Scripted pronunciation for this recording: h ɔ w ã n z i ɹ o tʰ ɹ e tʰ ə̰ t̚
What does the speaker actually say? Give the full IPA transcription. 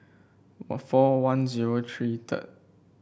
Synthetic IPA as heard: f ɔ w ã n z i ɹ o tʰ ɹ i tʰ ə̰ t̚